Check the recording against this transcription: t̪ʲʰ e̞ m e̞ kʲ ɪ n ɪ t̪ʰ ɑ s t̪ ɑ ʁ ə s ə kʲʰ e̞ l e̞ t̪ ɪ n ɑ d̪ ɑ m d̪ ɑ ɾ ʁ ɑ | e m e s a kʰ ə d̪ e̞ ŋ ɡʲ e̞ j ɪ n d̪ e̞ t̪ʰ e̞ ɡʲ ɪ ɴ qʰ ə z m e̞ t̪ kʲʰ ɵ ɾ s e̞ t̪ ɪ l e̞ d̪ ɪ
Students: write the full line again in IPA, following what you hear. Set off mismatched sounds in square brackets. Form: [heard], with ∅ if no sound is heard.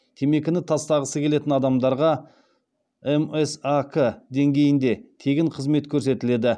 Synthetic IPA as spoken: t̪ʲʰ e̞ m e̞ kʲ ɪ n ɪ t̪ʰ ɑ s t̪ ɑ ʁ ə s ə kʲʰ e̞ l e̞ t̪ ɪ n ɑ d̪ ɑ m d̪ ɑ ɾ ʁ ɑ | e m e s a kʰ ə d̪ e̞ ŋ ɡʲ e̞ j ɪ n d̪ e̞ t̪ʰ e̞ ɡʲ ɪ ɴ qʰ ə z m e̞ t̪ kʲʰ ɵ ɾ s e̞ t̪ ɪ l e̞ d̪ ɪ